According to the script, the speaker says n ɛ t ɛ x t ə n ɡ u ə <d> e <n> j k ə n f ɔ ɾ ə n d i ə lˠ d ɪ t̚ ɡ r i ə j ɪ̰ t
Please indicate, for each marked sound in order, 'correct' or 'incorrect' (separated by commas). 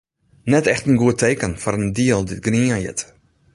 incorrect, incorrect